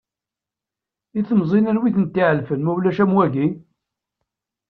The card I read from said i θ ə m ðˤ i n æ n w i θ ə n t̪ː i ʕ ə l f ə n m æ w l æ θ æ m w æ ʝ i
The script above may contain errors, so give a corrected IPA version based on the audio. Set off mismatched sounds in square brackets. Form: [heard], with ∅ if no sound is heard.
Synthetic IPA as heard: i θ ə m [zˤ] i n æ n w i θ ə n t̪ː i ʕ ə l f ə n m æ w l æ [ʃ] æ m w æ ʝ i